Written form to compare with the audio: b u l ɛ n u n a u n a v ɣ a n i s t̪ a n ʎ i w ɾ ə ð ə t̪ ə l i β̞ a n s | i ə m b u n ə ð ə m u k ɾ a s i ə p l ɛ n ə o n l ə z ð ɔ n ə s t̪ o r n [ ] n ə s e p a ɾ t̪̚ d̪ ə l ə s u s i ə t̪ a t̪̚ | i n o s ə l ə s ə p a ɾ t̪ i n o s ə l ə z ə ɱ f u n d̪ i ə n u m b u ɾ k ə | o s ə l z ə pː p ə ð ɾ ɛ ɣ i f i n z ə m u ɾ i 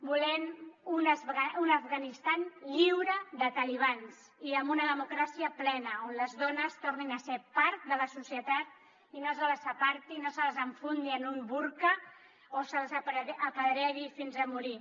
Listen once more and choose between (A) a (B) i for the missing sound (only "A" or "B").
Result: B